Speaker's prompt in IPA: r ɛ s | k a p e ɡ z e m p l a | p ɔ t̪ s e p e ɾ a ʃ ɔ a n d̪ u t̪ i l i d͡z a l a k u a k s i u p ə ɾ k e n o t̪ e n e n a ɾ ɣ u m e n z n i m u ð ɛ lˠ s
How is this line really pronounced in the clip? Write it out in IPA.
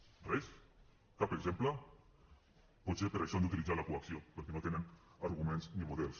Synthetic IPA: r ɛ s | k a p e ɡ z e m p l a | p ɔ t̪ s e p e ɾ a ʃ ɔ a n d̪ u t̪ i l i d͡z a l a k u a k s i o p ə ɾ k e n o t̪ e n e n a ɾ ɣ u m e n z n i m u ð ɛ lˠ s